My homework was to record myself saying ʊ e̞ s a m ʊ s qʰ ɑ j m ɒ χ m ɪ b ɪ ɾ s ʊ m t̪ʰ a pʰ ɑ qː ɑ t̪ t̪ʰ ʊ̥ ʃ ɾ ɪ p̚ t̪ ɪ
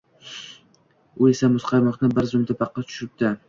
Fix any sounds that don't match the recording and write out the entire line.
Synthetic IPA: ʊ e̞ s a m ʊ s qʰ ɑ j m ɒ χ n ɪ b ɪ ɾ z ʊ m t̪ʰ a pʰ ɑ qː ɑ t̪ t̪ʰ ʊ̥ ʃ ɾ ɪ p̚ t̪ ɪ